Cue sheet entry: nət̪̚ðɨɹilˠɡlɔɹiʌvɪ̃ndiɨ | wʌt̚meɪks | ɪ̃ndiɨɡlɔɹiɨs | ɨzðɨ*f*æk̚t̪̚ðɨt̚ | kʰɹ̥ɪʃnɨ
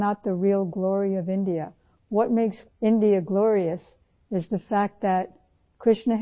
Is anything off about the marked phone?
no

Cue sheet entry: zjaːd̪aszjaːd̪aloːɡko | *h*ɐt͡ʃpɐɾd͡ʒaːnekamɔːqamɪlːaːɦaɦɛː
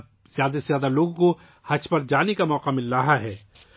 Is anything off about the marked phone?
no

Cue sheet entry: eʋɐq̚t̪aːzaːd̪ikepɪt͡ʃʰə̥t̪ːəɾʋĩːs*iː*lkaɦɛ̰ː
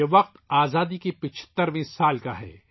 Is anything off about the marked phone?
yes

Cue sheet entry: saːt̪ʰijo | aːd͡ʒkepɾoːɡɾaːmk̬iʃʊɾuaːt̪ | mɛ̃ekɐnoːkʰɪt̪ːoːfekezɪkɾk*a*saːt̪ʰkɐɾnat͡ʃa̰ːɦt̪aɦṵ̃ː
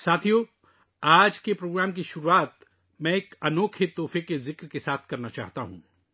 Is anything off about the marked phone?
yes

